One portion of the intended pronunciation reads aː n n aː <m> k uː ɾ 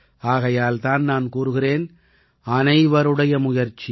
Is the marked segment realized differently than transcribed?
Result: yes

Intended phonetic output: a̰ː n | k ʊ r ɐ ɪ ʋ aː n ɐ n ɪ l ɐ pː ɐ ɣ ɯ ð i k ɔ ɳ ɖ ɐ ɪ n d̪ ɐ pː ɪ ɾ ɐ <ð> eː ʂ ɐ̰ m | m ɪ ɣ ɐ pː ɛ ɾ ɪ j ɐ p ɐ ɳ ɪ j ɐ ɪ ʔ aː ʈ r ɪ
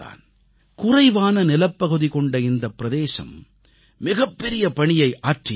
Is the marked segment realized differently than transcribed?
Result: no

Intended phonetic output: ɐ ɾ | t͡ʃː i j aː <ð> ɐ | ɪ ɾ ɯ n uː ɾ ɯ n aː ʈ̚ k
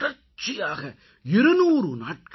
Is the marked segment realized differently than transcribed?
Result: yes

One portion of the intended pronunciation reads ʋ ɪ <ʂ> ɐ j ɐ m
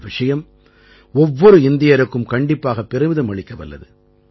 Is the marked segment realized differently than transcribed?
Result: no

